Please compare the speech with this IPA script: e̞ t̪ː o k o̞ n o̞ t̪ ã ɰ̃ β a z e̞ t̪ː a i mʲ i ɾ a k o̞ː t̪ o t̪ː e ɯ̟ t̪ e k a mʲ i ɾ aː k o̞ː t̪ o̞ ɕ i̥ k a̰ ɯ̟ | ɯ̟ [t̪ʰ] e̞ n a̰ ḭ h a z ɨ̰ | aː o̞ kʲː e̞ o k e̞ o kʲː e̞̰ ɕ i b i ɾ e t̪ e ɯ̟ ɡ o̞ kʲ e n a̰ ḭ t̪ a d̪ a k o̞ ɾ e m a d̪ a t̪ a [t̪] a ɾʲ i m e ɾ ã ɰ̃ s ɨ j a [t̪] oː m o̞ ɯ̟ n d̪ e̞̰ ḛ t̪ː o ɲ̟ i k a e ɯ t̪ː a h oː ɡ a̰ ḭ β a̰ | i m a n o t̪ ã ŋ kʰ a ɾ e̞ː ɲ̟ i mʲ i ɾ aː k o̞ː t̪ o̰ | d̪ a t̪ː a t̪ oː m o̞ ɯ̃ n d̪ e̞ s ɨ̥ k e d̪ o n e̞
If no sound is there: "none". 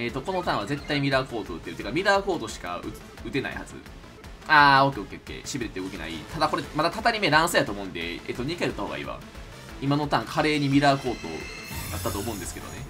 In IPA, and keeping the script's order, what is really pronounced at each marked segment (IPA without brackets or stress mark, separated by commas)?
t̪, t̪, t̪